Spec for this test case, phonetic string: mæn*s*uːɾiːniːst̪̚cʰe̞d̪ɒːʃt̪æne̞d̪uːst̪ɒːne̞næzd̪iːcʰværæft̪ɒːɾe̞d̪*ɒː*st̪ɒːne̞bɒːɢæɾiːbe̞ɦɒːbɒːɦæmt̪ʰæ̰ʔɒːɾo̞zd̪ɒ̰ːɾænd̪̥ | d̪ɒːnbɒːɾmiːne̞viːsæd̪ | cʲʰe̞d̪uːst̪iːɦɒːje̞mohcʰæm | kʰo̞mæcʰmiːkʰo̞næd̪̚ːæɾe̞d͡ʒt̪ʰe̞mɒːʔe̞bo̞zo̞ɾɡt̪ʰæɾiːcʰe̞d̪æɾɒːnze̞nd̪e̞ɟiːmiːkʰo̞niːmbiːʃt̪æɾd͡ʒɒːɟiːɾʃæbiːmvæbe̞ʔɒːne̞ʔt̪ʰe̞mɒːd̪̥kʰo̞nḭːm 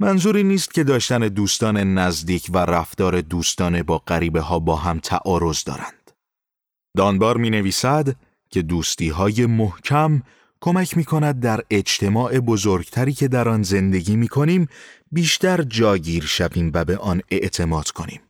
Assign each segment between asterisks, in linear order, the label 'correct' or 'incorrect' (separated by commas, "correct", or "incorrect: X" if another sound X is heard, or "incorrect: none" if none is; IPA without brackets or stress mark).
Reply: incorrect: z, incorrect: uː